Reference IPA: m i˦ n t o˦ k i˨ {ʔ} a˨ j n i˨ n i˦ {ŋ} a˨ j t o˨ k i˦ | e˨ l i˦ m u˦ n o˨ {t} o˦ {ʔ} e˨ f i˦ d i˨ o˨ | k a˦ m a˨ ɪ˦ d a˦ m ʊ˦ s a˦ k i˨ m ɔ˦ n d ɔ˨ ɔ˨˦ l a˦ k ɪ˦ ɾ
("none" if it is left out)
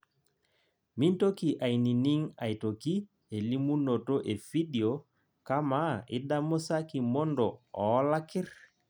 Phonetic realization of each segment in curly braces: ʔ, ŋ, t, ʔ

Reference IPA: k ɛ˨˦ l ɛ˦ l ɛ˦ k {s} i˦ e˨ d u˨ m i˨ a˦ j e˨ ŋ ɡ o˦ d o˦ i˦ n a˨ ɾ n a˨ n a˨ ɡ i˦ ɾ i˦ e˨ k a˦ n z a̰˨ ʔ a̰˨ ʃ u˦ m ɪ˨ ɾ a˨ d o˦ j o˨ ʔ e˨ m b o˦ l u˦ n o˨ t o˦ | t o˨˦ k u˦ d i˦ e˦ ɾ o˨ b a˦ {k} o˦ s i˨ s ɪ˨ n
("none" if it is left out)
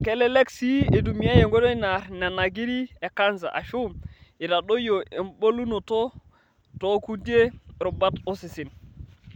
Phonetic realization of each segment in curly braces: s, t

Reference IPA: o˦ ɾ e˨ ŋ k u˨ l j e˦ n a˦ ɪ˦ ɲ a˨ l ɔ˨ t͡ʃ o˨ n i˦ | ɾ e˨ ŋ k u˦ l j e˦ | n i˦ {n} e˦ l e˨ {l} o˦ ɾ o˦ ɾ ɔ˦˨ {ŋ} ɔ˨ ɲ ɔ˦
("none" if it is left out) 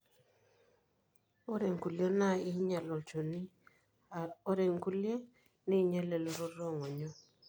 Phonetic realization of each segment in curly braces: ɲ, l, ŋ

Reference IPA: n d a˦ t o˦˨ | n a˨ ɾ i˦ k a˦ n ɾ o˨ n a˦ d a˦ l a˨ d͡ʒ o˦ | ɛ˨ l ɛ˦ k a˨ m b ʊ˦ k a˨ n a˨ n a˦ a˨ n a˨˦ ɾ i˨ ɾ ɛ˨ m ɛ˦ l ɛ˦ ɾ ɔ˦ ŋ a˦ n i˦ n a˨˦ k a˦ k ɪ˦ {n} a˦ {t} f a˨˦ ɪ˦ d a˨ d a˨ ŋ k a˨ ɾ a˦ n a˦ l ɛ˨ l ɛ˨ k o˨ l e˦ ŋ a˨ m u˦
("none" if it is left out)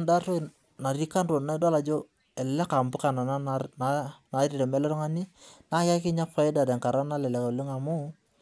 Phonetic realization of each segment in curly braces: ɲ, none

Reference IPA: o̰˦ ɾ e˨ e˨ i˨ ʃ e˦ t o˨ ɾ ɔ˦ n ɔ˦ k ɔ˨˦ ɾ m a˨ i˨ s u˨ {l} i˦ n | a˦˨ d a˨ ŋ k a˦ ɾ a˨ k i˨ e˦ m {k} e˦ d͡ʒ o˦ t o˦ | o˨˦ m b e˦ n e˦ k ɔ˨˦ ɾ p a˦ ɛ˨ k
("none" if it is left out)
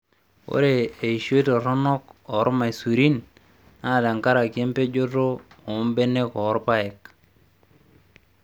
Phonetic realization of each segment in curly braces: ɾ, p

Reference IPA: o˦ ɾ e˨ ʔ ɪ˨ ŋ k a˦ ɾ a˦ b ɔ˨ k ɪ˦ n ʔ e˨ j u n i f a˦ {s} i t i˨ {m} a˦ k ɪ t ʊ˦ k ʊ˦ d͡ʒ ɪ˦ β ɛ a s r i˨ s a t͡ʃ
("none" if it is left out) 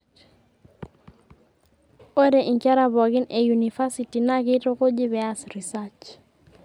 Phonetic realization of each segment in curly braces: s, n

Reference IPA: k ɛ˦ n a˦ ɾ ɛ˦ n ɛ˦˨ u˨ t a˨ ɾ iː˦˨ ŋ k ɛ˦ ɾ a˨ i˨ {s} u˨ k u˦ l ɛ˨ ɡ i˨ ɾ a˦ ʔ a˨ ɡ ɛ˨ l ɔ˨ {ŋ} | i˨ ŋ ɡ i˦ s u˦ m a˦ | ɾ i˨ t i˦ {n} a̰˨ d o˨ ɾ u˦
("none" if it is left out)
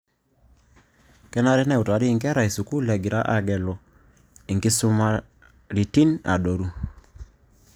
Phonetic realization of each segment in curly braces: s, none, n

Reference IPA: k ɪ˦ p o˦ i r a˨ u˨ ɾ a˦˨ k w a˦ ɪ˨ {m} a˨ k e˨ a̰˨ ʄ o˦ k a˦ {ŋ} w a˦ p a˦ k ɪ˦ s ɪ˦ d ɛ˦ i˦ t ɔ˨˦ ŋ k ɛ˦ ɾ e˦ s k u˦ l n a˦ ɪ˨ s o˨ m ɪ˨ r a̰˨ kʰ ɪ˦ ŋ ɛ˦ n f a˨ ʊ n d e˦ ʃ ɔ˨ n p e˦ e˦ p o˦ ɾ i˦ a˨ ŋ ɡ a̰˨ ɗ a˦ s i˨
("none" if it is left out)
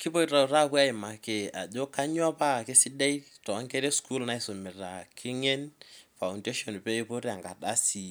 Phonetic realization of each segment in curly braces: m, ɲ

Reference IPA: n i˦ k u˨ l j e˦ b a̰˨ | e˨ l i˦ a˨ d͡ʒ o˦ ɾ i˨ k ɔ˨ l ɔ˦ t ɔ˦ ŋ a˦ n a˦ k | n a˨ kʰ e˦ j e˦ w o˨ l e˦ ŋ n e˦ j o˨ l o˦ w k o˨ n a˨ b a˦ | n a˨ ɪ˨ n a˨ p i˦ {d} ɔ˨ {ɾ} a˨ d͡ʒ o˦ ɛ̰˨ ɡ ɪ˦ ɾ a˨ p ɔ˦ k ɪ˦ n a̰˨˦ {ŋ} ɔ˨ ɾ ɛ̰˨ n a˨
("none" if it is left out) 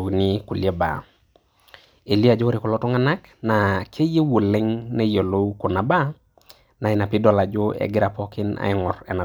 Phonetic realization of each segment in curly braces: d, l, ŋ

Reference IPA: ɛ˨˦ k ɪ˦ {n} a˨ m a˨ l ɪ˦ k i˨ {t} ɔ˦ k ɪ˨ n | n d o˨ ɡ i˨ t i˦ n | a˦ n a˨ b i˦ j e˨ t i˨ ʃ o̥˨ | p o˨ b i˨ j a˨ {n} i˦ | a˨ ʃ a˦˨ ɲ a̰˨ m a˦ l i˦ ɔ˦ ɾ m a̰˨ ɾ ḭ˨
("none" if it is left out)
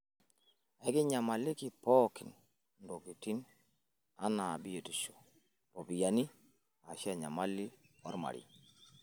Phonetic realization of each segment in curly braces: ɲ, p, n

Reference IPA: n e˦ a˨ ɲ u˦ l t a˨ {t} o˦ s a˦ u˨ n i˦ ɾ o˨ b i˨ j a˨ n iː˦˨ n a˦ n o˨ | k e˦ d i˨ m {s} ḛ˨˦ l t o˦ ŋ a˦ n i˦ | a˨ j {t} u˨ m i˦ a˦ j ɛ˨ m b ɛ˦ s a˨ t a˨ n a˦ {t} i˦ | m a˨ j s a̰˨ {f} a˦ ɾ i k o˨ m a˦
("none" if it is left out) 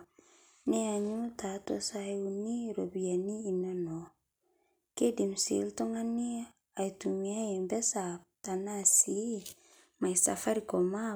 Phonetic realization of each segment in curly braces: t, s, t, s, f

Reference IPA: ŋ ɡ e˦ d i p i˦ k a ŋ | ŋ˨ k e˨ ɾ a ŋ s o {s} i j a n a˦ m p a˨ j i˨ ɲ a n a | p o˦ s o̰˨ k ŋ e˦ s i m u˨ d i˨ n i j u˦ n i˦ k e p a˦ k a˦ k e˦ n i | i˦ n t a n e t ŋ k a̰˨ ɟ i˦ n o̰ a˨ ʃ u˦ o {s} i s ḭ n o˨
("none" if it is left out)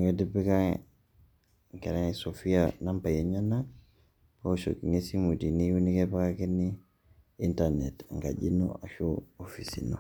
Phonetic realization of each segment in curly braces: f, f

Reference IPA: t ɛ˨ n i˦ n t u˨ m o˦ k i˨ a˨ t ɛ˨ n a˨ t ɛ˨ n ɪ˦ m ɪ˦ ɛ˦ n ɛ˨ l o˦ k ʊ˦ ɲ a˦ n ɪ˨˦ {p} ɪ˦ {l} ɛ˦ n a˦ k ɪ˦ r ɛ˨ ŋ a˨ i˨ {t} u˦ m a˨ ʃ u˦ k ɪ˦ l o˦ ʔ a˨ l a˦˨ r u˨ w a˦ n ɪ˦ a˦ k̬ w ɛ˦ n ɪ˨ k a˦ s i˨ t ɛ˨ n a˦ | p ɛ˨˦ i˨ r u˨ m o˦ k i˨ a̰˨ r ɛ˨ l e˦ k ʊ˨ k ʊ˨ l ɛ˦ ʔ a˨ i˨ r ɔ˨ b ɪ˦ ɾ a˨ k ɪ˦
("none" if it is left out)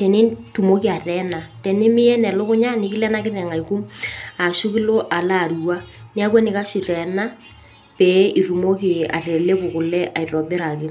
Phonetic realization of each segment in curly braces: k, l, k

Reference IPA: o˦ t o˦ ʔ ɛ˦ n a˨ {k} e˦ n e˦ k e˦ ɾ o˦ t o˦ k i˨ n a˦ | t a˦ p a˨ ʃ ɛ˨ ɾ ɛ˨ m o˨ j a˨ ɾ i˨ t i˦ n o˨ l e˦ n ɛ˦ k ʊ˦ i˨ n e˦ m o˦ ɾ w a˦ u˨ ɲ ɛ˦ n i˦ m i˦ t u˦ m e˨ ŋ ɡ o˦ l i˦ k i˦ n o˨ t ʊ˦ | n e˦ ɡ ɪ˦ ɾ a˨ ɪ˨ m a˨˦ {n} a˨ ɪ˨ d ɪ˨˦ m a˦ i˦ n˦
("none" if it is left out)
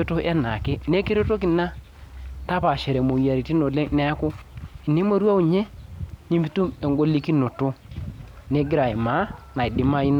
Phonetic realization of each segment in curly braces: k, n

